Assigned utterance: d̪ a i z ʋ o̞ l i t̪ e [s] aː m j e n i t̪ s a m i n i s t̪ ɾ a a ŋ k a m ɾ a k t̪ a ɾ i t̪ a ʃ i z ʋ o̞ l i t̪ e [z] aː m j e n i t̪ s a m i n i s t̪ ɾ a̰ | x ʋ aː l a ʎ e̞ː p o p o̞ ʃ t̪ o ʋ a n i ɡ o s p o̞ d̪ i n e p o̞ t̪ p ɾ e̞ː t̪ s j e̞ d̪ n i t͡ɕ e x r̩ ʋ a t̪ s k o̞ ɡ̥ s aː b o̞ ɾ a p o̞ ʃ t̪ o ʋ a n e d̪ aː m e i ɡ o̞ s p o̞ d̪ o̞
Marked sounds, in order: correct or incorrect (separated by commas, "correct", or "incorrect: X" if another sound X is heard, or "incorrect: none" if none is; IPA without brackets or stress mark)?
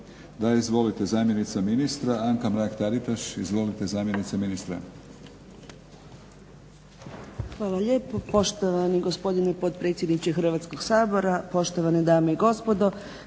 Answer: incorrect: z, correct